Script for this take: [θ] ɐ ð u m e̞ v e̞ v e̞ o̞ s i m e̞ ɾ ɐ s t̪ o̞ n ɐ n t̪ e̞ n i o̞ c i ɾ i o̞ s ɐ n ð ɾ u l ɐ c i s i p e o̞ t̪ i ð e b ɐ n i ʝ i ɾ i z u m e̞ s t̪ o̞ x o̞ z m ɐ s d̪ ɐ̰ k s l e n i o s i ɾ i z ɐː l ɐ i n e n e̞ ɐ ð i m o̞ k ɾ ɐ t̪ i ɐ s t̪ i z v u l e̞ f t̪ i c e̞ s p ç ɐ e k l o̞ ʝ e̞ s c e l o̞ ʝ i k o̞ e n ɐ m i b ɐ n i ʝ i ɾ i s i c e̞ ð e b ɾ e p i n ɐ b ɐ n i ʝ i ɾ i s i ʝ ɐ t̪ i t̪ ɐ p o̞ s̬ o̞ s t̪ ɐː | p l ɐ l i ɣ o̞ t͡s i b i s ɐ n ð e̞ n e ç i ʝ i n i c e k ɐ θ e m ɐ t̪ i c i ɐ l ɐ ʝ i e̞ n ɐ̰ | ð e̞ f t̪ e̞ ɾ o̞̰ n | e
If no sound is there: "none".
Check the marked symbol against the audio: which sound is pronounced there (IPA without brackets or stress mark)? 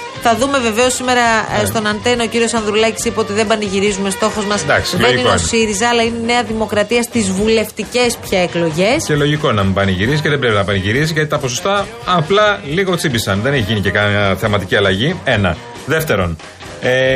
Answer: θ